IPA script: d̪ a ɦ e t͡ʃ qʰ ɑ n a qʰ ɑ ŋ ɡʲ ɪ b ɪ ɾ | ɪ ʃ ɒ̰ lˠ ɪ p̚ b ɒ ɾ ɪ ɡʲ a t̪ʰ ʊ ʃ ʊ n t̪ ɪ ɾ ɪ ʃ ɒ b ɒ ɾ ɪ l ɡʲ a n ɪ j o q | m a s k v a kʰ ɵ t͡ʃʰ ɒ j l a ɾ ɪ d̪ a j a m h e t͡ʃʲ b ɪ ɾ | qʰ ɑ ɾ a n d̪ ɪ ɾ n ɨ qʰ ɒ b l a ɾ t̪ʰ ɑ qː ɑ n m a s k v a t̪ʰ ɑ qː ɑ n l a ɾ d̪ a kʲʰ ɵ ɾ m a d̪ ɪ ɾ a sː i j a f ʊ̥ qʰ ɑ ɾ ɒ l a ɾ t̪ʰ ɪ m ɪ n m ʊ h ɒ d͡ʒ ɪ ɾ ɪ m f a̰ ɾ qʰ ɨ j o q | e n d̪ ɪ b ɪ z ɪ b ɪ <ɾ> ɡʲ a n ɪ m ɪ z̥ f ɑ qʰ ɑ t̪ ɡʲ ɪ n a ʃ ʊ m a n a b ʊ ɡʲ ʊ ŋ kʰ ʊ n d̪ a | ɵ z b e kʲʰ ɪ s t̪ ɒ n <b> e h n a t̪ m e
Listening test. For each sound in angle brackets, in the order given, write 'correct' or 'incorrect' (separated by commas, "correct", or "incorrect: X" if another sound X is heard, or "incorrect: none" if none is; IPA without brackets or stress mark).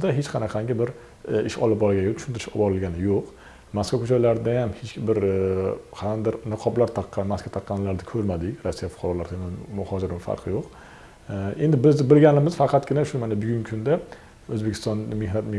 incorrect: l, incorrect: m